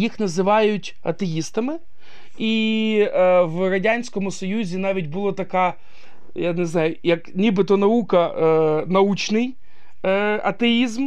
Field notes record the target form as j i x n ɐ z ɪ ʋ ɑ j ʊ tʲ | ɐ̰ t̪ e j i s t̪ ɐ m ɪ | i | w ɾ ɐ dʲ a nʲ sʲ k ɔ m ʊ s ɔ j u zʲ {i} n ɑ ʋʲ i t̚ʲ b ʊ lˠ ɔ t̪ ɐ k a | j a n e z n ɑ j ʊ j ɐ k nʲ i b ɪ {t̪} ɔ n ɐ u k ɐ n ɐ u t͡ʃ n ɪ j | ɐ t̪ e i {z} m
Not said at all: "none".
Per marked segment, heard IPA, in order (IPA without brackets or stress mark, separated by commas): i, t̪, z